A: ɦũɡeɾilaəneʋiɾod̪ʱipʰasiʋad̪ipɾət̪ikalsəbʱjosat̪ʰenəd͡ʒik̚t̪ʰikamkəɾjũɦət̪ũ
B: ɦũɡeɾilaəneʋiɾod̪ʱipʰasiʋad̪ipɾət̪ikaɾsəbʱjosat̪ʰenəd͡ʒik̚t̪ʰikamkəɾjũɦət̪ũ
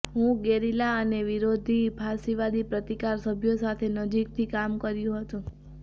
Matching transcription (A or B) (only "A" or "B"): B